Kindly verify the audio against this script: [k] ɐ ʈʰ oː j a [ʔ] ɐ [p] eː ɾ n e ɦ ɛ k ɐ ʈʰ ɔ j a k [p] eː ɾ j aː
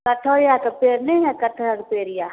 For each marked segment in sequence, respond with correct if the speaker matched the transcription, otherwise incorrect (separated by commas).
correct, incorrect, correct, correct